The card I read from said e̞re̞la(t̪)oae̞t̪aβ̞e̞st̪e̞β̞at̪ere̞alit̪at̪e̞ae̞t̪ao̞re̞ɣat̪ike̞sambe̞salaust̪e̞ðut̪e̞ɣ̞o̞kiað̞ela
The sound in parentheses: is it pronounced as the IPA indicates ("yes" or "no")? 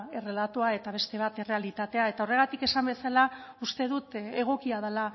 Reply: yes